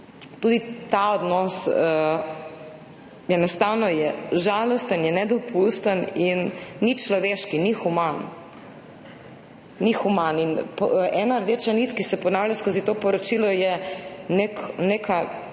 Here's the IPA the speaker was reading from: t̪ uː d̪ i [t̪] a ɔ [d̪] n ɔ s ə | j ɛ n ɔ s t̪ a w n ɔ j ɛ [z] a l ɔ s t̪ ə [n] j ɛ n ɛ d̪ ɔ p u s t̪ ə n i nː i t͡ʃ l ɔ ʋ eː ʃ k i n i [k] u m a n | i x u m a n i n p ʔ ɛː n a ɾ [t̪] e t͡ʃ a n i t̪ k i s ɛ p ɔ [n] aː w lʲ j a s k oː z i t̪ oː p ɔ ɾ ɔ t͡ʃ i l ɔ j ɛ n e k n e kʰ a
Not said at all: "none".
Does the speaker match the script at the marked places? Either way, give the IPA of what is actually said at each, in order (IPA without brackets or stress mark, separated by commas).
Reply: t̪, d̪, ʒ, n, x, d̪, n